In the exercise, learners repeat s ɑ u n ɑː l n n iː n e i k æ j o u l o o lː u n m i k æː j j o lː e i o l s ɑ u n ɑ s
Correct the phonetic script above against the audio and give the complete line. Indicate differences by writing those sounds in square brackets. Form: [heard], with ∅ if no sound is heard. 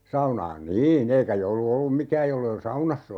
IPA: s ɑ u n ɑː [∅] n n iː n e i k æ j o u l [u] o lː u [m] m i k æː j j o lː e i o l s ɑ u n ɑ [sː]